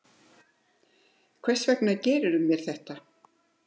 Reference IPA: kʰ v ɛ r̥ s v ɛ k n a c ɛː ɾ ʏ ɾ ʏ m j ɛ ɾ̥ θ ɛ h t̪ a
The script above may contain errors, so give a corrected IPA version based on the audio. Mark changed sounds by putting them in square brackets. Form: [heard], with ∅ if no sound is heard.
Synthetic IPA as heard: kʰ v ɛ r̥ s v ɛ k n a c ɛː ɾ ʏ ɾ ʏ m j ɛ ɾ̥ θ ɛ h t̪ a